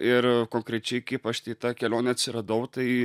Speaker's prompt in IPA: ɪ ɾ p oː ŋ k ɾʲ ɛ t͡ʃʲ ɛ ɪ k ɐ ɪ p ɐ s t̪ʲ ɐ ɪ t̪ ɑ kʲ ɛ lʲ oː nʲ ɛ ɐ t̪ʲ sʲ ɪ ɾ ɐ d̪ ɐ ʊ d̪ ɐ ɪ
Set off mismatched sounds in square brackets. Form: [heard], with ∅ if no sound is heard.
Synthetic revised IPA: ɪ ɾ [k] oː ŋ k ɾʲ ɛ t͡ʃʲ ɛ ɪ k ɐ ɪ p ɐ [ʃ] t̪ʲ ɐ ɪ t̪ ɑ kʲ ɛ lʲ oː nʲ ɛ ɐ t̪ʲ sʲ ɪ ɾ ɐ d̪ ɐ ʊ [t̪] ɐ ɪ